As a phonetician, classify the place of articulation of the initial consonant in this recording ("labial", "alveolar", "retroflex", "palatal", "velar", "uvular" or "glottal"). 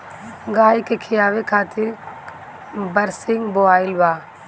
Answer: velar